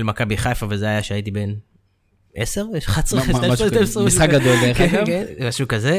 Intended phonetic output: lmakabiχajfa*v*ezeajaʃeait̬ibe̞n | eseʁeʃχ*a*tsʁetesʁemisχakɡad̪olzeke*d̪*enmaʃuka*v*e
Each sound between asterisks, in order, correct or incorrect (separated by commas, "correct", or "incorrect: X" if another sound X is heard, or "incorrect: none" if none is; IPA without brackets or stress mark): correct, correct, incorrect: none, incorrect: z